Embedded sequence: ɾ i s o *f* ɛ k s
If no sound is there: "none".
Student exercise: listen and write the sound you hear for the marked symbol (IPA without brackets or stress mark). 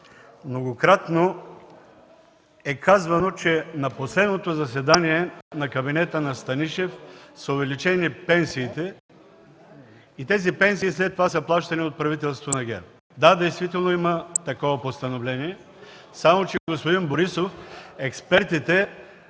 f